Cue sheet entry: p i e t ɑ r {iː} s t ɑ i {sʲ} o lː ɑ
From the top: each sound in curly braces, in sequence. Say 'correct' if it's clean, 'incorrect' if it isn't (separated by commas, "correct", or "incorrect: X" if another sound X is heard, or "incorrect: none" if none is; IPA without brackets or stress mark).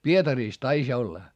correct, correct